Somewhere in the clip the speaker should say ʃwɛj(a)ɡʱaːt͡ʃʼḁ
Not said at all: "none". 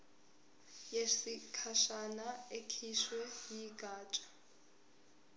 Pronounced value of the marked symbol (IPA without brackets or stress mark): i